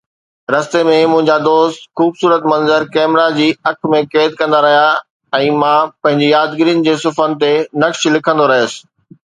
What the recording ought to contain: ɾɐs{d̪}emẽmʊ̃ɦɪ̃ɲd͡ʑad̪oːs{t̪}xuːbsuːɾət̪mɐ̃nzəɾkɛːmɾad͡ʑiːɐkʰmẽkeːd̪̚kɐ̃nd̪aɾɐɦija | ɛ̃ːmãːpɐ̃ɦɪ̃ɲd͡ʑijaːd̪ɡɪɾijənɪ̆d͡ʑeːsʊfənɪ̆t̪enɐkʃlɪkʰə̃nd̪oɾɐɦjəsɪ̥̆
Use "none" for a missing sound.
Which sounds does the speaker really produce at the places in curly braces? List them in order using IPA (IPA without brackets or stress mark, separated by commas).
t̪, t̪